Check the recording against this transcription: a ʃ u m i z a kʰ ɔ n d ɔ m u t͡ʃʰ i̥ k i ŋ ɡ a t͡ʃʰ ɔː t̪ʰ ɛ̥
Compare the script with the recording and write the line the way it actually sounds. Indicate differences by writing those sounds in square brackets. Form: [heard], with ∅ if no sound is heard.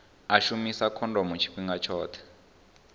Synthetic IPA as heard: a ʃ u m i [s] a kʰ ɔ n d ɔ m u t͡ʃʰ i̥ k i ŋ ɡ a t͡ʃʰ ɔː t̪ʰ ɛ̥